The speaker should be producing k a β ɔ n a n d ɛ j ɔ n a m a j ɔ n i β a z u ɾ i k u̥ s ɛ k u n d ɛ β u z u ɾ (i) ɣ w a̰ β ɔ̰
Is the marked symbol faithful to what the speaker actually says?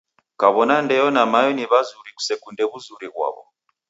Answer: yes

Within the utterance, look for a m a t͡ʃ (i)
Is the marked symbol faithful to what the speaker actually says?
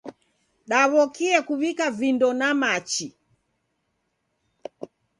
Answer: yes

